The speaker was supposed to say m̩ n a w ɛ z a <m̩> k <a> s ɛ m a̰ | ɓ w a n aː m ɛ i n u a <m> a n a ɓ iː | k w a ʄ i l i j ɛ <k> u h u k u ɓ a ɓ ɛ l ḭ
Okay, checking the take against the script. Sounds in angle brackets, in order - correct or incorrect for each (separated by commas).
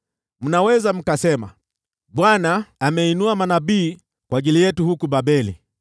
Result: correct, correct, correct, incorrect